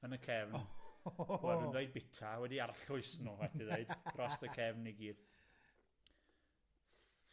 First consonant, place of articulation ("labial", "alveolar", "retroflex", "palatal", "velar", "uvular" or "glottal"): alveolar